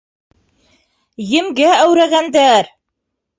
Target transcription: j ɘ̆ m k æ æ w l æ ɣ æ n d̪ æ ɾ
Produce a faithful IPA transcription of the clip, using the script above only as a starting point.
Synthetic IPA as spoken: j ɘ̆ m ɡ æ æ w ɾ æ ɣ æ n d̪ æ ɾ